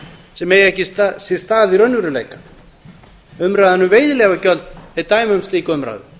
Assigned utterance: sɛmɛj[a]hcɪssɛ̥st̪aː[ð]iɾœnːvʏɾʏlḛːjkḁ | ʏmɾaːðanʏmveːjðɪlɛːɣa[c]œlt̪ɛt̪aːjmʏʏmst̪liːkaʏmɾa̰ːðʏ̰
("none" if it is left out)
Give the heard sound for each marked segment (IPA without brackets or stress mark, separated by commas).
ɛ, ð, c